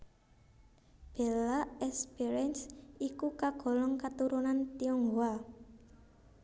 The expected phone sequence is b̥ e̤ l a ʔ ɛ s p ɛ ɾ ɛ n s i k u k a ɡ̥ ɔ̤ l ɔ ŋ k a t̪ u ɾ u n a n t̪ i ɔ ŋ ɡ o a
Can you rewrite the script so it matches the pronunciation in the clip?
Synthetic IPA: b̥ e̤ l a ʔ ɛ s p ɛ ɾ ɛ n s i k u k a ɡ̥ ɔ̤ l ɔ ŋ k a t̪ u ɾ u n a n t̪ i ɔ ŋ ɡ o a